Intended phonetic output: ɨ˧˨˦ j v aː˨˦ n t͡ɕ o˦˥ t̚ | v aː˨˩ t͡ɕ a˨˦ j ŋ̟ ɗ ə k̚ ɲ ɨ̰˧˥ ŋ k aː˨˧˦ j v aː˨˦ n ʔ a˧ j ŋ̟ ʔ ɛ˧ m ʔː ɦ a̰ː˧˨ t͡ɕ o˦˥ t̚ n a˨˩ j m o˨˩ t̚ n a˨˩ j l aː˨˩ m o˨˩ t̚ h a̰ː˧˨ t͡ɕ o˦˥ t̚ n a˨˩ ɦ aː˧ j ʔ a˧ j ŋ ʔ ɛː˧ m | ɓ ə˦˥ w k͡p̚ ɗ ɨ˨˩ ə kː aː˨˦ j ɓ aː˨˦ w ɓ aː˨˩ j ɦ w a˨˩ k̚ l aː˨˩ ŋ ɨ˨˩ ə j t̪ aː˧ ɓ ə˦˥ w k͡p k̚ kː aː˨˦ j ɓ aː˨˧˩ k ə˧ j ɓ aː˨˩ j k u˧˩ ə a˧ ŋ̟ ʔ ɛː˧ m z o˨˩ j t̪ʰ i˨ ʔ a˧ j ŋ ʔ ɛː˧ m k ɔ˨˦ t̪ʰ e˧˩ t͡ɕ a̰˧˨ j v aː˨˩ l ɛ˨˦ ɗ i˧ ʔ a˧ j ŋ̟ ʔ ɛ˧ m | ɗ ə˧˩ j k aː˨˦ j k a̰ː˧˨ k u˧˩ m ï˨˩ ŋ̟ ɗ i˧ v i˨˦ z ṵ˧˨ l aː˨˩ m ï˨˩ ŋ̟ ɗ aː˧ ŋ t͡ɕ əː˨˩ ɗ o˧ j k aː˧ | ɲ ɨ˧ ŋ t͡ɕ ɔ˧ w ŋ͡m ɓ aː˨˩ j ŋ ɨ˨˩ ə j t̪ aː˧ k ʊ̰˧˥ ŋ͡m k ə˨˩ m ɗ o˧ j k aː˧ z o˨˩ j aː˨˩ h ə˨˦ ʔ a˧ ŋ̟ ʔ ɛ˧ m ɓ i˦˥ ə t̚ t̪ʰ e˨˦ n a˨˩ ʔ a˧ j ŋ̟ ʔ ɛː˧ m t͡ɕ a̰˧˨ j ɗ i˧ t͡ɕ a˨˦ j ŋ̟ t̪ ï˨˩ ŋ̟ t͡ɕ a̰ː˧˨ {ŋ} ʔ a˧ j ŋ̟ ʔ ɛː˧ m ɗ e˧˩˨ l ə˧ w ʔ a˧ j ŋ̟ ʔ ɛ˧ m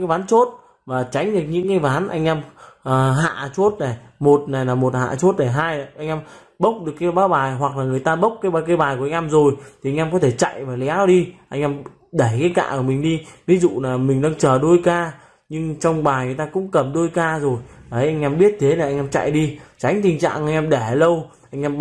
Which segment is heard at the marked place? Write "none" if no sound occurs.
ŋ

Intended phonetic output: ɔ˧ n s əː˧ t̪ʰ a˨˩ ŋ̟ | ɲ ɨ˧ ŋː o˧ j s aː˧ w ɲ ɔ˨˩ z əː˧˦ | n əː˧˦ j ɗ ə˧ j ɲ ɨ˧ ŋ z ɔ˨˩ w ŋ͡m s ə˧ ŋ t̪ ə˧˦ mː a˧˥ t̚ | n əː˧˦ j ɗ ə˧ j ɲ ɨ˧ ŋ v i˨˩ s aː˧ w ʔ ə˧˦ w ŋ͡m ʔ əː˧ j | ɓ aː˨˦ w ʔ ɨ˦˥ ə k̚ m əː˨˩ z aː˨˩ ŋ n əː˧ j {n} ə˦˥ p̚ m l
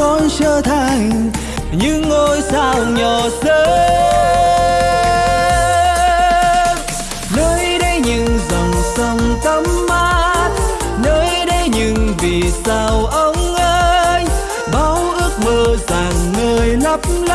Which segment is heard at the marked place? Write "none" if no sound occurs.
n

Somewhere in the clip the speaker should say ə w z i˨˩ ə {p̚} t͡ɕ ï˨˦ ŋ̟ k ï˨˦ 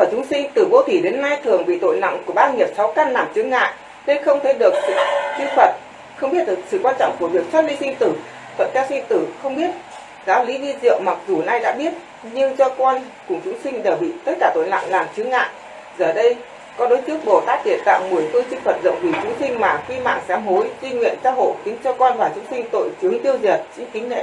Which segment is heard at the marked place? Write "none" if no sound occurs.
t̚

